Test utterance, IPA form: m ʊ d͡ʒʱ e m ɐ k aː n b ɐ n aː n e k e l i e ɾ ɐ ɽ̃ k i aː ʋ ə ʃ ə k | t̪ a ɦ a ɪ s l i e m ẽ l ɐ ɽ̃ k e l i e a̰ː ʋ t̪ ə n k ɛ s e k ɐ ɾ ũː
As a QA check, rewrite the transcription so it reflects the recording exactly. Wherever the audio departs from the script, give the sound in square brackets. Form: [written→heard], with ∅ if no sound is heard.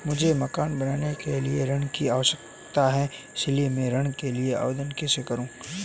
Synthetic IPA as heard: m ʊ d͡ʒʱ e m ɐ k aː n b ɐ n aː n e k e l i e ɾ ɐ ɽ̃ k i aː ʋ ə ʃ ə k | t̪ a ɦ [a→ɛ] ɪ s l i e m ẽ [l→ɾ] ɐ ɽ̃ k e l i e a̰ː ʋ [t̪→d̪] ə n k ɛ s e k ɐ ɾ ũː